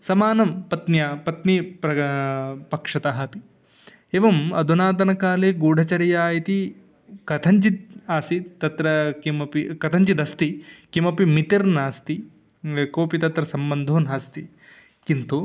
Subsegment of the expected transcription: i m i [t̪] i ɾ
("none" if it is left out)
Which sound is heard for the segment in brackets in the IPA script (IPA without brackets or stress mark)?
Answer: t̪